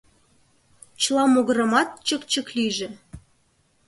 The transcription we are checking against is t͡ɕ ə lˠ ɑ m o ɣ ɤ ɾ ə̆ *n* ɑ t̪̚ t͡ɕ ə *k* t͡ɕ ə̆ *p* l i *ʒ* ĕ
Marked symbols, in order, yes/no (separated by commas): no, yes, no, yes